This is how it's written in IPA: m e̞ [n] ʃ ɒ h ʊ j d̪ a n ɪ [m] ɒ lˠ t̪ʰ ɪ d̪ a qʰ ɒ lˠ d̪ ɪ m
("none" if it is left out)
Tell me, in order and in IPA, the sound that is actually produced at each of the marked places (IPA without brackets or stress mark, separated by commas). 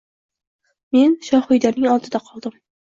n, ŋ